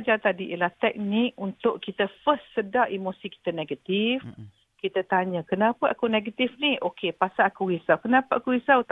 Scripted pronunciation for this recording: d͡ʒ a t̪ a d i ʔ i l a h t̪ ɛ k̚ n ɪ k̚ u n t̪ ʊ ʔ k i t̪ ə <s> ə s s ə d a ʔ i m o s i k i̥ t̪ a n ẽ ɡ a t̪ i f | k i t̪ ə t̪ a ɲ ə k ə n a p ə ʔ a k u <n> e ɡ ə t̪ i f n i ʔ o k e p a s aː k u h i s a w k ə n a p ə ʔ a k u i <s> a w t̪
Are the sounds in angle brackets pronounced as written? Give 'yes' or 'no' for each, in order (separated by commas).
no, yes, yes